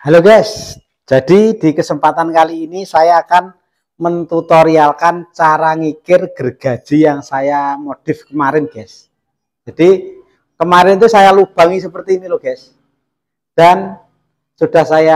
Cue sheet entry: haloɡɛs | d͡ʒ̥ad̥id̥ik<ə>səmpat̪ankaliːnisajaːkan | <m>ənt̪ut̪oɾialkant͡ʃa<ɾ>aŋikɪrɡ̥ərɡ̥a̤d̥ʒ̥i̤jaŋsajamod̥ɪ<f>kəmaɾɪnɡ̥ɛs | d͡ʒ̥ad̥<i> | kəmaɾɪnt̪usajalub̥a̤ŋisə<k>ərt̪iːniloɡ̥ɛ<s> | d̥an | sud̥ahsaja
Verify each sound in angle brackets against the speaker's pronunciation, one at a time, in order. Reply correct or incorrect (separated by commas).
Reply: correct, correct, correct, correct, correct, incorrect, correct